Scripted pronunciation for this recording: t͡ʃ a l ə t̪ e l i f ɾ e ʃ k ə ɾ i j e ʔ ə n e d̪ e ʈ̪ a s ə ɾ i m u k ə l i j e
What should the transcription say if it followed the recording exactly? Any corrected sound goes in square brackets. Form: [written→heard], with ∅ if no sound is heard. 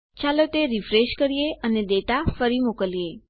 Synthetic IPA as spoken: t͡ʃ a l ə t̪ e [l→ɾ] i f ɾ e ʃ k ə ɾ i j e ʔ ə n e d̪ e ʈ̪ a [s→f] ə ɾ i m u k ə l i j e